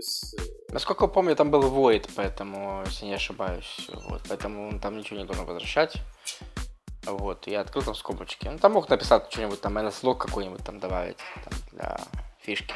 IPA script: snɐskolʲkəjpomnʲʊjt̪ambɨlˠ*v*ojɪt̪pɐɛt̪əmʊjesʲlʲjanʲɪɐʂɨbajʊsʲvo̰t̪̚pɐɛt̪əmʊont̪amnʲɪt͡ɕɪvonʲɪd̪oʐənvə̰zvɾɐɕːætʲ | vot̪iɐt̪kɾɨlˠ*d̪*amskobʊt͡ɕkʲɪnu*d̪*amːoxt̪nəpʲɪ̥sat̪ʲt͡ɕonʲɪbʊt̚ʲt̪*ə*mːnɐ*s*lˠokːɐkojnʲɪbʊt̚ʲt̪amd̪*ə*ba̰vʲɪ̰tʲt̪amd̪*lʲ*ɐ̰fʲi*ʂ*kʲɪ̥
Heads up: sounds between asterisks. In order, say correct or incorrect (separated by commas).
correct, incorrect, incorrect, incorrect, correct, incorrect, correct, correct